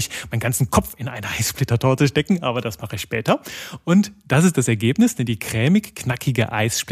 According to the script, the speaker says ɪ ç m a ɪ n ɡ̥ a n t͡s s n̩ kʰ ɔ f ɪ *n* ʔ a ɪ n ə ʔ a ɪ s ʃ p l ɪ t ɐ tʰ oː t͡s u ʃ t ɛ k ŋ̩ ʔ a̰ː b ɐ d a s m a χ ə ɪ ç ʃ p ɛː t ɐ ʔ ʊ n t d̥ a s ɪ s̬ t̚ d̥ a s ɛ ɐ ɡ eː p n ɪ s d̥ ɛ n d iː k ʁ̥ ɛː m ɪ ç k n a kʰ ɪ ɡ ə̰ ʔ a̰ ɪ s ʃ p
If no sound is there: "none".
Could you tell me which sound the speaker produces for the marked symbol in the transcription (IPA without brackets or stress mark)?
n